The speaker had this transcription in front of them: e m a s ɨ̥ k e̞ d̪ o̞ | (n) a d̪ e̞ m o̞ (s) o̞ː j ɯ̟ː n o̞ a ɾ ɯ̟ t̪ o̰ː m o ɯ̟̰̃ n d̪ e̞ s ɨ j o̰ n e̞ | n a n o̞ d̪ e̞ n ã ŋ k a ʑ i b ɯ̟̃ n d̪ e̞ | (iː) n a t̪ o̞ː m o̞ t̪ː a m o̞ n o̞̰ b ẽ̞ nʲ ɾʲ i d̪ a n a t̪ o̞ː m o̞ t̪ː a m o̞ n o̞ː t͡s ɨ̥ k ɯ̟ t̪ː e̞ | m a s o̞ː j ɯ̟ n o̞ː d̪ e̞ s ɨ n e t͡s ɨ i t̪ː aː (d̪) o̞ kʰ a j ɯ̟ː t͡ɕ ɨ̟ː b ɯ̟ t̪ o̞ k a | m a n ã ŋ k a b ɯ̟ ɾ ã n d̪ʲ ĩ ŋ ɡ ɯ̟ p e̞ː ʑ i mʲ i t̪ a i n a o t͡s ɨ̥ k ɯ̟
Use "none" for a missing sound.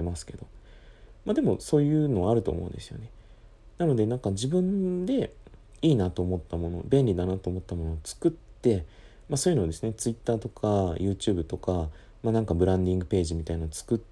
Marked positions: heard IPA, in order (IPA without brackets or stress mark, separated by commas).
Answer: m, s, iː, t̪